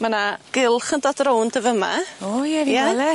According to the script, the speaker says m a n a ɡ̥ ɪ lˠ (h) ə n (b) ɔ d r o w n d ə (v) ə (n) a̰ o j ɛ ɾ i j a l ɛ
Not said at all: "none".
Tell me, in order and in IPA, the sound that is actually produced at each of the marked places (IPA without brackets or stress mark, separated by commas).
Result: χ, d, v, m